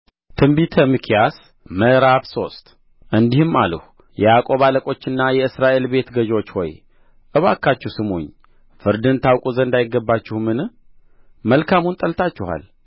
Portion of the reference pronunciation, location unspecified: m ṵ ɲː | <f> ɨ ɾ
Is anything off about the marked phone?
no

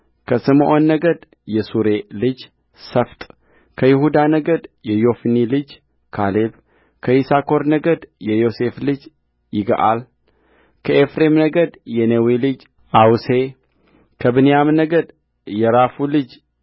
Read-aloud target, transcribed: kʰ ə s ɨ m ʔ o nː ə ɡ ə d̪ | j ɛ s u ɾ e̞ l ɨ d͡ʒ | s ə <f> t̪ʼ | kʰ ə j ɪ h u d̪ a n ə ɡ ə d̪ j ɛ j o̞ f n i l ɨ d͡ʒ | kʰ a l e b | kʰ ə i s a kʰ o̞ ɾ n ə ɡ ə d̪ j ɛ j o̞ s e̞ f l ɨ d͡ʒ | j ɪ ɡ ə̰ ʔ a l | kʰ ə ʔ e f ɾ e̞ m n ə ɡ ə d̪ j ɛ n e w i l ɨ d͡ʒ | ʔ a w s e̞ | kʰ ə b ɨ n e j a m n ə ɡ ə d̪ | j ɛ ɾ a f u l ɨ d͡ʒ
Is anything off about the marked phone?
no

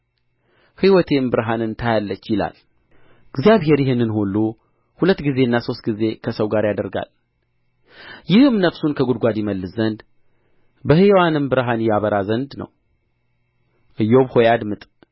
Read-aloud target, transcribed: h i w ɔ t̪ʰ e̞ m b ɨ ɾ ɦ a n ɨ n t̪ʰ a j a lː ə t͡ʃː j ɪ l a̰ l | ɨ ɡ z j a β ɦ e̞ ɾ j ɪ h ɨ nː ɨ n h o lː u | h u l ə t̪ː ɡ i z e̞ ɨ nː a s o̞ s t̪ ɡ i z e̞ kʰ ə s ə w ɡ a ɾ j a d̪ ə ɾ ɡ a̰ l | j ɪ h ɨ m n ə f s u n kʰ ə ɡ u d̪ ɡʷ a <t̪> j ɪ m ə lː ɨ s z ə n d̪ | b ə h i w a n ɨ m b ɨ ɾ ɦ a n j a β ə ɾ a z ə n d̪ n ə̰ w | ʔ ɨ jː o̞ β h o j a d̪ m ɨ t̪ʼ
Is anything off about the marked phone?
yes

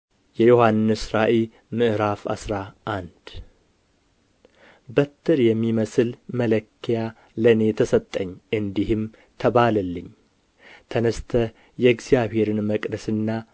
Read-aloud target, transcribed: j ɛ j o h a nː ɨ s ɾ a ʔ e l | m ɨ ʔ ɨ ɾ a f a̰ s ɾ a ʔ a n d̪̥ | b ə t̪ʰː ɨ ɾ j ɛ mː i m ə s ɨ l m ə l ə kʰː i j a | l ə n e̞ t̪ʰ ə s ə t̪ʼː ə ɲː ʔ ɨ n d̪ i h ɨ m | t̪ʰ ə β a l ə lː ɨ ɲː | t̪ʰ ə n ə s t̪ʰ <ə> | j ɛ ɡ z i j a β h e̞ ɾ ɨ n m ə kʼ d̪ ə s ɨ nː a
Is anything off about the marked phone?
no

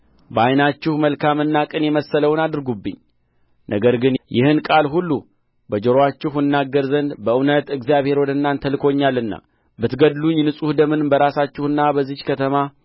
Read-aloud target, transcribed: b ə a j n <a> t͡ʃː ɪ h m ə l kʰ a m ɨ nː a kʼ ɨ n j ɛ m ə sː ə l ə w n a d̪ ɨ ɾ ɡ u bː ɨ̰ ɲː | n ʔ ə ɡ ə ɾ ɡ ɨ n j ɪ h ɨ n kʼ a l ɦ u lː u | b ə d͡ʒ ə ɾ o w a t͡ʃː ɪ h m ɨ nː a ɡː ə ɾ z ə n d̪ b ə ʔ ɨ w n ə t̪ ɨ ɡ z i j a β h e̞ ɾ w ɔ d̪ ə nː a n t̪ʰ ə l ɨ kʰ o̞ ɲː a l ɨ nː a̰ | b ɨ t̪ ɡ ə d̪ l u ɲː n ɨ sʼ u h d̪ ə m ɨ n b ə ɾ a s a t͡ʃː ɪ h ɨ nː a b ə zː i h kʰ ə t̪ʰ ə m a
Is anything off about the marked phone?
no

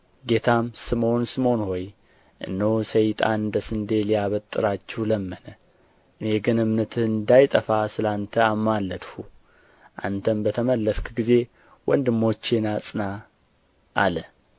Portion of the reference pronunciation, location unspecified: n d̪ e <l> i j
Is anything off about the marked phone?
no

